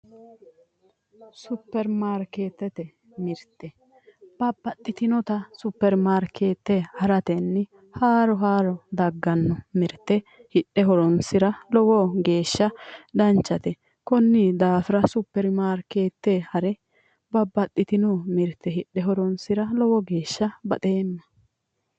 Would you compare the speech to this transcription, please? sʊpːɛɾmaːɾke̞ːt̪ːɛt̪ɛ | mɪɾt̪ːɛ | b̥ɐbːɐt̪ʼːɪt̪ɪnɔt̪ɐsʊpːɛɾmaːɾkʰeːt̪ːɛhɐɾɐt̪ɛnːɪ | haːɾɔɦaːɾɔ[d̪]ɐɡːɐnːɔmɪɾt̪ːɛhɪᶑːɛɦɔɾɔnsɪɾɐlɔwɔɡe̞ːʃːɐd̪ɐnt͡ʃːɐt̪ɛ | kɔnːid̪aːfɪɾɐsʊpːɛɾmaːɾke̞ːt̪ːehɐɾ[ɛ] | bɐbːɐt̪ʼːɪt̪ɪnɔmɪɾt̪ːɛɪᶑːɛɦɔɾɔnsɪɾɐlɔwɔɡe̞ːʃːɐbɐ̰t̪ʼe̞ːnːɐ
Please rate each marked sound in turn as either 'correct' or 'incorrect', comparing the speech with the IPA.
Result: correct, correct

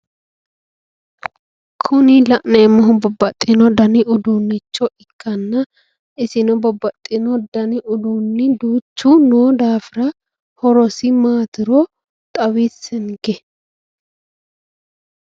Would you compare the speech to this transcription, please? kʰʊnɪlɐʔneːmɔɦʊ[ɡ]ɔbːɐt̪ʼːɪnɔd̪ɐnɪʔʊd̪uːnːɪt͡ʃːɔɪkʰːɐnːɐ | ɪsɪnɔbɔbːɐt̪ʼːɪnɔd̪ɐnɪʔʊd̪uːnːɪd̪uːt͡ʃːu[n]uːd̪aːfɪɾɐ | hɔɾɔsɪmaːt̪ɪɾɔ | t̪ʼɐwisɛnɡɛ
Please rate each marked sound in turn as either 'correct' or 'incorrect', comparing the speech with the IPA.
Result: incorrect, correct

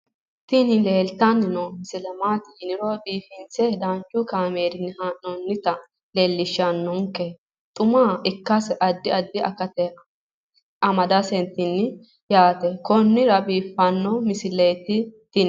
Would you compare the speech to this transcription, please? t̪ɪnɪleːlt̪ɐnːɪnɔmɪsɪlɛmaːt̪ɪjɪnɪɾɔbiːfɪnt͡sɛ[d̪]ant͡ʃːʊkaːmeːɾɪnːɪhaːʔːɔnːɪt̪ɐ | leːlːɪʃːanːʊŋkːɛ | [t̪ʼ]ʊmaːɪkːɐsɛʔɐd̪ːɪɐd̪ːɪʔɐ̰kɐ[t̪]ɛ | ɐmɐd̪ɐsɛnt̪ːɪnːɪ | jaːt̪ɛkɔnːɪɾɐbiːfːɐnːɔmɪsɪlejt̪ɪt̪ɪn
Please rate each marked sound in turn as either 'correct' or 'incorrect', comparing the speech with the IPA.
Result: correct, correct, correct

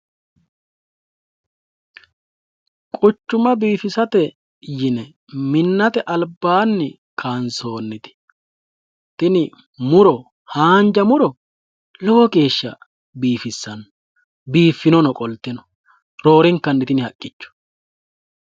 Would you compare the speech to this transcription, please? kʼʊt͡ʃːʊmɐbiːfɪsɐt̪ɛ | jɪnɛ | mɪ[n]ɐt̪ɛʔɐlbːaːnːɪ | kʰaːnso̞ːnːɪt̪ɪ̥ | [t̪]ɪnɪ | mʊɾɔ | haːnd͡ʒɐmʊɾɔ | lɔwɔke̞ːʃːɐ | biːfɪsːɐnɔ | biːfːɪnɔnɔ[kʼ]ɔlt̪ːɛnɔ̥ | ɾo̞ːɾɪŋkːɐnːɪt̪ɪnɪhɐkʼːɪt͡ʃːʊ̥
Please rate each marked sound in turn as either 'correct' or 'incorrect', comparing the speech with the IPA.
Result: incorrect, correct, correct

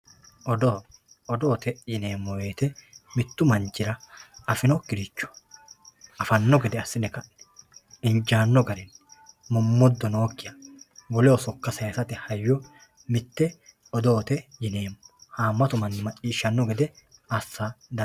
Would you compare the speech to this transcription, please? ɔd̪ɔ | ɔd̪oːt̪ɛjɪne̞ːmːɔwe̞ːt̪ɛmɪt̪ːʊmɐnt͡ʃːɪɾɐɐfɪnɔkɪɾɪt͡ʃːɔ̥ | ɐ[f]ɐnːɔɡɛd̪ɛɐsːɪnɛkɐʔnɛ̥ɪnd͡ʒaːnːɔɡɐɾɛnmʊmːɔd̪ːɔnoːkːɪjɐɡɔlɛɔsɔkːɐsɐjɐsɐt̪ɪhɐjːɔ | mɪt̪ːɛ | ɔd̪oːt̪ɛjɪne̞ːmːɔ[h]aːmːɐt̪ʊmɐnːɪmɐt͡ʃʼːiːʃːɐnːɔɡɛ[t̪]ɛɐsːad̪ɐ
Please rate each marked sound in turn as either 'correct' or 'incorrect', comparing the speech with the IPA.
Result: correct, correct, incorrect

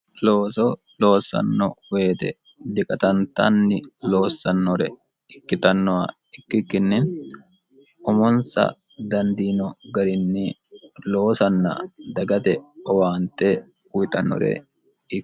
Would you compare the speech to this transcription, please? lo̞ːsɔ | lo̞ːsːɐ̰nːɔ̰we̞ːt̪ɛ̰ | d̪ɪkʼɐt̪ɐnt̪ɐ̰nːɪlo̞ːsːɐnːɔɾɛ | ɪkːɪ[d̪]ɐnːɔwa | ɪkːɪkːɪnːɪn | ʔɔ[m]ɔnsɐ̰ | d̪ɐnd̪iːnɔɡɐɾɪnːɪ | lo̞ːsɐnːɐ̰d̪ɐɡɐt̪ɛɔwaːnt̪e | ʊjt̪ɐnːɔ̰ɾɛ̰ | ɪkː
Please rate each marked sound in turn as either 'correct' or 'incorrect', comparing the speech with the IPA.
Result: incorrect, correct

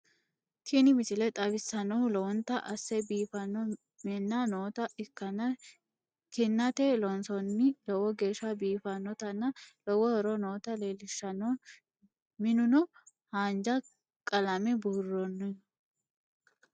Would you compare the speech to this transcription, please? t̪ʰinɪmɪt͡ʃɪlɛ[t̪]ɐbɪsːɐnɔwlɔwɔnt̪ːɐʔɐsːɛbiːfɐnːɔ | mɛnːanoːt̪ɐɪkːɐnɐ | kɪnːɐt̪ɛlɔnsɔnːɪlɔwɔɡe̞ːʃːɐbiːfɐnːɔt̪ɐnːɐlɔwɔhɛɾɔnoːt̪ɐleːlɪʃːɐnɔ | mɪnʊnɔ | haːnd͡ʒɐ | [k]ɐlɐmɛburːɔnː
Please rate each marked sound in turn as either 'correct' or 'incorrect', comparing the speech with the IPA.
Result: incorrect, incorrect

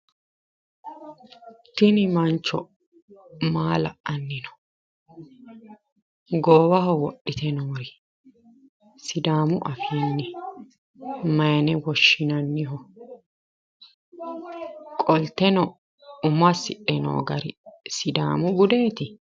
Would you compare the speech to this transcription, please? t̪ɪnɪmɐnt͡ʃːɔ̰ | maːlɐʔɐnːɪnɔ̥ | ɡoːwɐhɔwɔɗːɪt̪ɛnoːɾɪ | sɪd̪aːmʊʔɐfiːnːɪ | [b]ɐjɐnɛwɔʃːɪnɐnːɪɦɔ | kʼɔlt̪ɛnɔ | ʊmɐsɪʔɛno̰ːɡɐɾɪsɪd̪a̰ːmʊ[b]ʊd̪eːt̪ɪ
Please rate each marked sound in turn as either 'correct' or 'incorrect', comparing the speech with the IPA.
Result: incorrect, incorrect

